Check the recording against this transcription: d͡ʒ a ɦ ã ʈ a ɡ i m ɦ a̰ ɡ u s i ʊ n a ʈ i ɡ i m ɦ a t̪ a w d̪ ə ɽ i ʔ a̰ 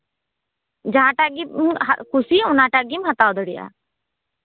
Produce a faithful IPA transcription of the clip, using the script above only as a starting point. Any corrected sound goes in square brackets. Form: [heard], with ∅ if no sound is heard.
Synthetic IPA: d͡ʒ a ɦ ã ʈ a ɡ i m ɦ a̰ [k] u s i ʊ n a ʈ [a] ɡ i m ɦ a t̪ a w d̪ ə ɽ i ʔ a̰